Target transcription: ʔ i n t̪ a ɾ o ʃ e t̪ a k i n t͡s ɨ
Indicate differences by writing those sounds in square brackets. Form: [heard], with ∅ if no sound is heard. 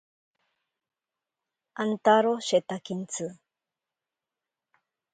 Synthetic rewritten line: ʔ [a] n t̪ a ɾ o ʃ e t̪ a k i n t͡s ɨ